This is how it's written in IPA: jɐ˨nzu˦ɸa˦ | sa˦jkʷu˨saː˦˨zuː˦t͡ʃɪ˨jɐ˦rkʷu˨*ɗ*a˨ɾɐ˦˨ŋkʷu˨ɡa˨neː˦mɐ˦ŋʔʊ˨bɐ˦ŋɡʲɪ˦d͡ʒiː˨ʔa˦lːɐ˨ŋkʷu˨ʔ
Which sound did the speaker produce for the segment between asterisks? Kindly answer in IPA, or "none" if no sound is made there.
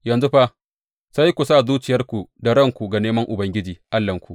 d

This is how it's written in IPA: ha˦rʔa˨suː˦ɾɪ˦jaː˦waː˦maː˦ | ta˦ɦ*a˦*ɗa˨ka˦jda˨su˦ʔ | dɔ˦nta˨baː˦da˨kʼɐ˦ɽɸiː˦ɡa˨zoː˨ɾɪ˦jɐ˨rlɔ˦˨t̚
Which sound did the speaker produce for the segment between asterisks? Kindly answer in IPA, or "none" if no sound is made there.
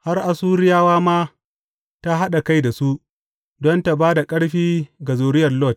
a˦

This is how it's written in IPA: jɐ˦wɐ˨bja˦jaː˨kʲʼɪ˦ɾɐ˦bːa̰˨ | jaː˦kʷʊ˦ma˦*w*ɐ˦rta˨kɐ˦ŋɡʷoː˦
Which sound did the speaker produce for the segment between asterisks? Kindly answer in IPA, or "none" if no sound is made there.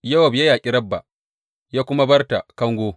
b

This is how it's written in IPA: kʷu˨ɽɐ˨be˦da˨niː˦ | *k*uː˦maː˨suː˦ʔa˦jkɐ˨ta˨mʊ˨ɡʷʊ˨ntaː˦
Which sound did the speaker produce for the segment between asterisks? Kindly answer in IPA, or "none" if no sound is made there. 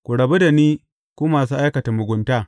k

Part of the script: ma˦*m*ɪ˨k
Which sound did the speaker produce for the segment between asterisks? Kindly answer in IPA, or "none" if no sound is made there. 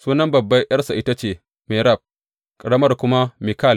m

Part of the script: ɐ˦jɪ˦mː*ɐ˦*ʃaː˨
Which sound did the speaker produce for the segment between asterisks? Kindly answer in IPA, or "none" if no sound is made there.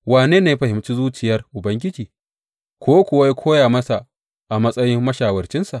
ɐ˦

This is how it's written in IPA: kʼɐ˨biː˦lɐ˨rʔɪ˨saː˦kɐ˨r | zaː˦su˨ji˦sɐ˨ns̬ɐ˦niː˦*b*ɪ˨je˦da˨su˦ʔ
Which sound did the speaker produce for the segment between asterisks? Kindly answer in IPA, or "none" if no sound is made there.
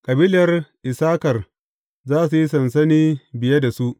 b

